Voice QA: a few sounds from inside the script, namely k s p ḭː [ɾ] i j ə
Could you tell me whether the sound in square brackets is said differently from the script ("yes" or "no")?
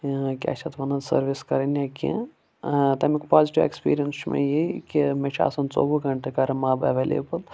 no